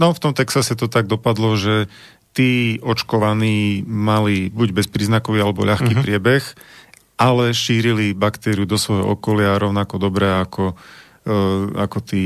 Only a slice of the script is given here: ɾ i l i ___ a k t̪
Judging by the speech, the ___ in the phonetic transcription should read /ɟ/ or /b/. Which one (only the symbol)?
b